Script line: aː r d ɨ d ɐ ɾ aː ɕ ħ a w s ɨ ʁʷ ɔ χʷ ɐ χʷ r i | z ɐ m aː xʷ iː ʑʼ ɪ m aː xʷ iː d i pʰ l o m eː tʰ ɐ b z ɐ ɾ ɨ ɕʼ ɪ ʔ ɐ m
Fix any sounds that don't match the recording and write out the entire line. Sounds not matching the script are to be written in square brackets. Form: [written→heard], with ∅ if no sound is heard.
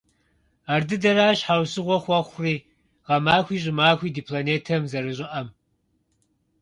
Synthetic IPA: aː r d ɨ d ɐ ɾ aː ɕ ħ a w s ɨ ʁʷ ɔ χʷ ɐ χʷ r [i→iː] | [z→ʁ] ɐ m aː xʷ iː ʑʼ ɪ m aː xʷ iː d i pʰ l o [m→n] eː tʰ ɐ [b→m] z ɐ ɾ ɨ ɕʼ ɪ ʔ ɐ m